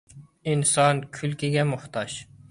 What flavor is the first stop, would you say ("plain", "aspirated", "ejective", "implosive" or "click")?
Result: aspirated